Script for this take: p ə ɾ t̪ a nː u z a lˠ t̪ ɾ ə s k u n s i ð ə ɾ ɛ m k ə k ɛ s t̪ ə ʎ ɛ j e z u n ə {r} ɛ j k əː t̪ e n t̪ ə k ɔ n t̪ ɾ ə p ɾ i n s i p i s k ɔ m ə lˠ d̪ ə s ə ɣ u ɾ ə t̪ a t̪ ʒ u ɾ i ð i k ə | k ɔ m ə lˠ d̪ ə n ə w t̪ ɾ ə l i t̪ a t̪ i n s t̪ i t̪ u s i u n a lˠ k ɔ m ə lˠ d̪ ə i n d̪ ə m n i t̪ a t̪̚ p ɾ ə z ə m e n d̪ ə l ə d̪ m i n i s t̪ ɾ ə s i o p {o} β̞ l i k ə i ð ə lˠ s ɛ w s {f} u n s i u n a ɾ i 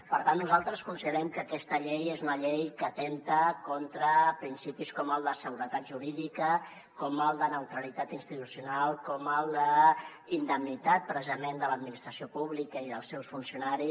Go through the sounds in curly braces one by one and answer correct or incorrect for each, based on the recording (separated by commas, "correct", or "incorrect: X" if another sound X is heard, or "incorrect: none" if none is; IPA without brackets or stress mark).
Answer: incorrect: ʎ, incorrect: u, correct